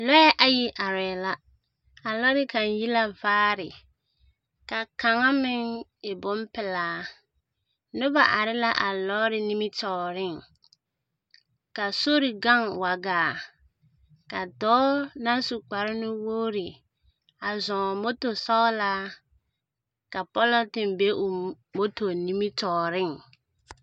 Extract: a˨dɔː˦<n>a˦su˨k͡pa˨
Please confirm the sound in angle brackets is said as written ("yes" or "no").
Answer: yes